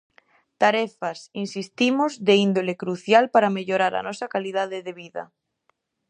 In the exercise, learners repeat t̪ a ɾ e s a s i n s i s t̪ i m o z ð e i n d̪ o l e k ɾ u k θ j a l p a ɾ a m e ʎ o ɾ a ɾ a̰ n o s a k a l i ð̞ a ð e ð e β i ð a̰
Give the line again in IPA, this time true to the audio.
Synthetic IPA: t̪ a ɾ e f a s i n s i s t̪ i m o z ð e i n d̪ o l e k ɾ u θ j a l p a ɾ a m e ʎ o ɾ a ɾ a̰ n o s a k a l i ð̞ a ð e ð e β i ð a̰